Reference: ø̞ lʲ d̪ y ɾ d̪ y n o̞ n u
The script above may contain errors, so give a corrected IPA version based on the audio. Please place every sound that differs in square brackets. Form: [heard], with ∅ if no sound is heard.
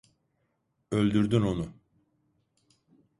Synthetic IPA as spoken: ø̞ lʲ d̪ y ɾ d̪ y n o̞ n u